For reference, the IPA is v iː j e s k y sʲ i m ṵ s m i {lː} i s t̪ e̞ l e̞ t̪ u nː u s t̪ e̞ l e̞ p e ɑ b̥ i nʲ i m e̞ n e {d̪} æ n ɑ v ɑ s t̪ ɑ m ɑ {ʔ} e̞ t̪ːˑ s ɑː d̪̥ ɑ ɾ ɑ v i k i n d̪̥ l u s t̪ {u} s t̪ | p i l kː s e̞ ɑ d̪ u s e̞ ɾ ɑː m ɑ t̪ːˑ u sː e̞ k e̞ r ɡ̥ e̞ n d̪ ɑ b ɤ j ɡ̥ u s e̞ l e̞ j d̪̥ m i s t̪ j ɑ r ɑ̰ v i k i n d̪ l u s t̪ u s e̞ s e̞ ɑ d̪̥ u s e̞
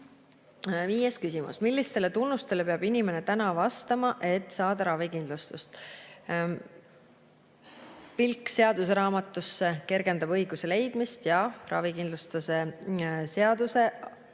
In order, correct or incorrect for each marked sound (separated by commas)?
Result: correct, incorrect, correct, correct